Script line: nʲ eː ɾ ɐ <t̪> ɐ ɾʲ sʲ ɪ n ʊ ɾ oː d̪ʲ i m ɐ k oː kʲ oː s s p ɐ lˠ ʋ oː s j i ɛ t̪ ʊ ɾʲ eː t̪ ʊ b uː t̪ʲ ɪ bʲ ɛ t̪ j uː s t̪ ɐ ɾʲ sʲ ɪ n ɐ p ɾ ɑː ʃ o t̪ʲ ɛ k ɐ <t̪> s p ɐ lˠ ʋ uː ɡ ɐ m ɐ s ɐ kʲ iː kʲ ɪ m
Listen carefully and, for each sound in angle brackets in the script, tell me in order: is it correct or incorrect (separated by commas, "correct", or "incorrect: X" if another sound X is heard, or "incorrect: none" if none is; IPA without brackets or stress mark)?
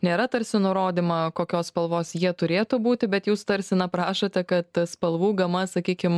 correct, correct